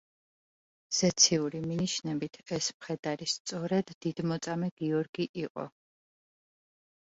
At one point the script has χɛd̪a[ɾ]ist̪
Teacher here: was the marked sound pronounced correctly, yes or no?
yes